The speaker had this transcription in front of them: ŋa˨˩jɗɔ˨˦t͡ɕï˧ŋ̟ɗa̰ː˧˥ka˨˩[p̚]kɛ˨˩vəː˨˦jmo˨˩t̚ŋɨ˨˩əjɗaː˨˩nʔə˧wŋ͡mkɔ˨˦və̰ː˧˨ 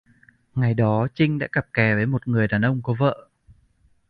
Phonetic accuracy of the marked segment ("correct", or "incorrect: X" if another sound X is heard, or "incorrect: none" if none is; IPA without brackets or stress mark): correct